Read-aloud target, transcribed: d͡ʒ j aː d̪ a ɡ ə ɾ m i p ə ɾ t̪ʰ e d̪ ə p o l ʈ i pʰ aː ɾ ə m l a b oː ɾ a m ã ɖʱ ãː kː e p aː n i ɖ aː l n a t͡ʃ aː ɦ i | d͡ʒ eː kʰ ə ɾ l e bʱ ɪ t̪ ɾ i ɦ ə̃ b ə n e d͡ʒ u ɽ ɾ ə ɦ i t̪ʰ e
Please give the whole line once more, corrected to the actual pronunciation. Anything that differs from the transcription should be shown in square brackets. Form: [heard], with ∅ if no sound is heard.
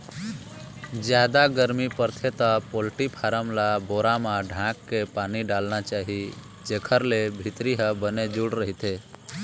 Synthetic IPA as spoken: d͡ʒ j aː d̪ a ɡ ə ɾ m i p ə ɾ t̪ʰ e [t̪] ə p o l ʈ i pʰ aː ɾ ə m l a b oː ɾ a m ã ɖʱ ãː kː e p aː n i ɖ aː l n a t͡ʃ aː ɦ i | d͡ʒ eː kʰ ə ɾ l e bʱ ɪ t̪ ɾ i ɦ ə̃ b ə n e d͡ʒ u ɽ ɾ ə ɦ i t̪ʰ e